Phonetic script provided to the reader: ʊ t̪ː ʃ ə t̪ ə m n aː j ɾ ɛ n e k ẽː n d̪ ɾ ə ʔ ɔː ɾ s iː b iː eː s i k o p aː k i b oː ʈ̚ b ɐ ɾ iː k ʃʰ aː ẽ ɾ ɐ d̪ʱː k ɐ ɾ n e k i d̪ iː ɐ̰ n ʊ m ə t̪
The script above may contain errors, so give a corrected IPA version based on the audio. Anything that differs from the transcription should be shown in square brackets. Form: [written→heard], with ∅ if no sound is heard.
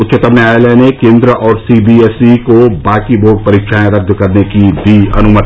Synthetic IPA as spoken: ʊ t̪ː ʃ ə t̪ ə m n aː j [ɾ→l] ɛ n e k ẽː n d̪ ɾ ə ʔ ɔː ɾ s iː b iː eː s i k o [p→b] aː k i b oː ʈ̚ [b→p] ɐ ɾ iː k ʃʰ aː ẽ ɾ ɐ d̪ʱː k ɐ ɾ n e k i d̪ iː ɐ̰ n ʊ m ə t̪